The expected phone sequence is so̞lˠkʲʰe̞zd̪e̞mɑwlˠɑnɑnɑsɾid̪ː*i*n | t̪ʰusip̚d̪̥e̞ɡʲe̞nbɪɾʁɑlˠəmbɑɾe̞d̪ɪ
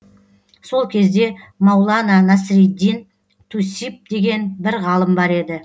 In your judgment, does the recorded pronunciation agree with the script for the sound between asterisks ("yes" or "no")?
yes